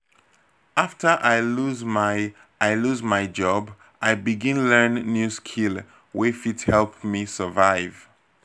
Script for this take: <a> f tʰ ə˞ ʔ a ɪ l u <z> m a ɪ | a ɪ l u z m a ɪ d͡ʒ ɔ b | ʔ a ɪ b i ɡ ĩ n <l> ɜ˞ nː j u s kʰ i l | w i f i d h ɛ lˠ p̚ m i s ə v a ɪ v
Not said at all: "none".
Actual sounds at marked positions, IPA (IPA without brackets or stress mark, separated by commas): a, z, l